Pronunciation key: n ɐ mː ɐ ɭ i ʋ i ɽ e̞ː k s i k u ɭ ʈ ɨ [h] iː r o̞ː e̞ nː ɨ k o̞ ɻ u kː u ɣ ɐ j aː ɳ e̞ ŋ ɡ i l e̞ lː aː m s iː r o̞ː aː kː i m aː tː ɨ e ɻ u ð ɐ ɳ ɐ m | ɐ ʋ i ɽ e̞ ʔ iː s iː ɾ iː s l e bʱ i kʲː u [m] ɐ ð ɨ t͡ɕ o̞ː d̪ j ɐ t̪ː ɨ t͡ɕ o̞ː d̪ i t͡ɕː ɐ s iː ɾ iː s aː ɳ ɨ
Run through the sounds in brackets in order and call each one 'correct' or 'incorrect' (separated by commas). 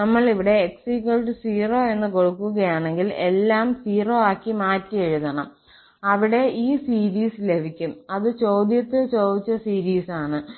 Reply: incorrect, correct